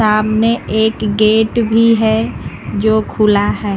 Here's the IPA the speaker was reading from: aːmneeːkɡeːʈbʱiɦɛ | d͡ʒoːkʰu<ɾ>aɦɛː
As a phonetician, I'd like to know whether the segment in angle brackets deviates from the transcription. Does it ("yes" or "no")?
yes